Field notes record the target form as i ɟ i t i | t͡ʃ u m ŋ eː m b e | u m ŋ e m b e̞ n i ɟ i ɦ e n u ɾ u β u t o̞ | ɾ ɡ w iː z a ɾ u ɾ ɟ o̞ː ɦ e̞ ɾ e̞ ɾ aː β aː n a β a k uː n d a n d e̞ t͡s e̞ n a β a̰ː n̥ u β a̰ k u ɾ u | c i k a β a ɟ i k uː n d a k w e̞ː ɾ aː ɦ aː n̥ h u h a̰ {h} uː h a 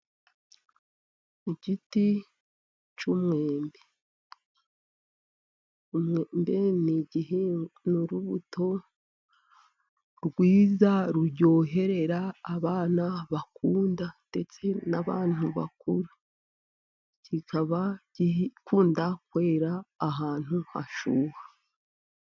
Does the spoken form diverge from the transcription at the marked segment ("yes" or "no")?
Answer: yes